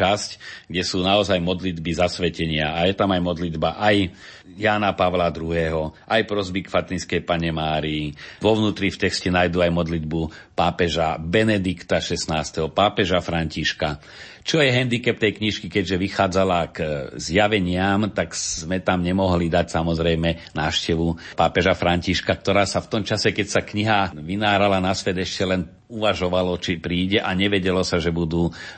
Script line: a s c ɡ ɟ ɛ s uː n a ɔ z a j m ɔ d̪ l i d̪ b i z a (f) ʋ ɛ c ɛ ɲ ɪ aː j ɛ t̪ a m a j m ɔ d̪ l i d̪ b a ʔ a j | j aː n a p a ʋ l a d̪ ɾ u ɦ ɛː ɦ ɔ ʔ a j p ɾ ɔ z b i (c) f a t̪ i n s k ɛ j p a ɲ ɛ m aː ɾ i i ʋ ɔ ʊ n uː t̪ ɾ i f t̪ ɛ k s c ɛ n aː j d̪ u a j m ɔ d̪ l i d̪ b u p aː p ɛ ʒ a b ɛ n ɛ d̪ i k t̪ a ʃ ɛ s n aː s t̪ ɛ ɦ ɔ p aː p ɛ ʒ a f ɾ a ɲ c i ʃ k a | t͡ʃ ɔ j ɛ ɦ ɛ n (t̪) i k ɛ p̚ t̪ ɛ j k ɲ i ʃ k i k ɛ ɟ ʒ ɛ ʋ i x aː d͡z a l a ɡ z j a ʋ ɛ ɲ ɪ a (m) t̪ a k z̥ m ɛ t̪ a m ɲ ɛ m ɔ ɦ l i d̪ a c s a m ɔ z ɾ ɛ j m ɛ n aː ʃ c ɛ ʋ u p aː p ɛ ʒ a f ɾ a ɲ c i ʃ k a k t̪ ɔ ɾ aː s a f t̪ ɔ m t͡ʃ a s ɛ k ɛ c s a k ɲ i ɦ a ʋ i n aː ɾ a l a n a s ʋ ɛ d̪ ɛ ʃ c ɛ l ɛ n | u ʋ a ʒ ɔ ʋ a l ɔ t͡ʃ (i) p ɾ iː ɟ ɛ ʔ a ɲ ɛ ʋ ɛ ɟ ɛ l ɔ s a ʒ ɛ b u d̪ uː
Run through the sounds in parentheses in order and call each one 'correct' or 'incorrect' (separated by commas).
incorrect, incorrect, incorrect, correct, correct